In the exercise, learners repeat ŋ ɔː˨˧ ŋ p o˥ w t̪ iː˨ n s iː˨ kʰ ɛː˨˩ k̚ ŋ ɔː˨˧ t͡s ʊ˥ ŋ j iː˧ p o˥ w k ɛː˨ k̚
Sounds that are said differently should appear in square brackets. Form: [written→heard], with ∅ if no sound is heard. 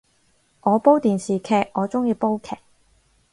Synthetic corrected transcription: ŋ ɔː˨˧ [ŋ→∅] p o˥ w t̪ iː˨ n s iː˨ kʰ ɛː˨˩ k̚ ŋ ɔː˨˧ t͡s ʊ˥ ŋ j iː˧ p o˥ w [k→kʰ] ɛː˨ k̚